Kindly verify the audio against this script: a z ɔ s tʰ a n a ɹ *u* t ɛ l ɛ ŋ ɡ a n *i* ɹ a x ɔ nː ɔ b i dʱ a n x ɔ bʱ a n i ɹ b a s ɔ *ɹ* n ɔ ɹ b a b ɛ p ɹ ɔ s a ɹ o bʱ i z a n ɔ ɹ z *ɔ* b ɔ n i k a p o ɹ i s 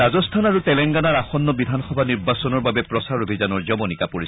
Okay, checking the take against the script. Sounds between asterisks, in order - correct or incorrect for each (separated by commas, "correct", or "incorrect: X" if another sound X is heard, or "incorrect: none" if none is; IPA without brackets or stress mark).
correct, incorrect: a, incorrect: none, correct